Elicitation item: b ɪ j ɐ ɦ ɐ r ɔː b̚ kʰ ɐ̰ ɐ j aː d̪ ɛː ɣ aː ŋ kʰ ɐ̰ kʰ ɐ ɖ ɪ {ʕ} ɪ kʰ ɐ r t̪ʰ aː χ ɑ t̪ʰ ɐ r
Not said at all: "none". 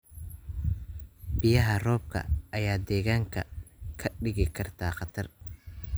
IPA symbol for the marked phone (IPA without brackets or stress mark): ɣ